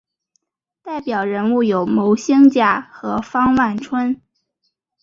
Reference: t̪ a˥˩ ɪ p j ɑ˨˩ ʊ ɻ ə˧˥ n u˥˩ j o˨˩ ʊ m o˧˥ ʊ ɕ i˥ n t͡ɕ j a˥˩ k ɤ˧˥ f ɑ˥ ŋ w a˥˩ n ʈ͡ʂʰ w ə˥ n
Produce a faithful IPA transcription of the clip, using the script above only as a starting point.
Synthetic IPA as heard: t̪ a˥˩ ɪ p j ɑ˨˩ ʊ ɻ ə˧˥ n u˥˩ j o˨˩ ʊ m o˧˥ ʊ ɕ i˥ ŋ t͡ɕ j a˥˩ x ɤ˧˥ f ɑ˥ ŋ w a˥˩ n ʈ͡ʂʰ w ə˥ n